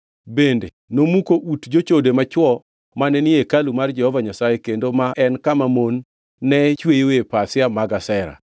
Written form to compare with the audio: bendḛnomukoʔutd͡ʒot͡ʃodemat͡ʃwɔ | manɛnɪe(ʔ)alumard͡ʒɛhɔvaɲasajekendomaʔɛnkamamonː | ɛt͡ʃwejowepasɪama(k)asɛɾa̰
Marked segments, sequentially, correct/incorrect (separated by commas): incorrect, incorrect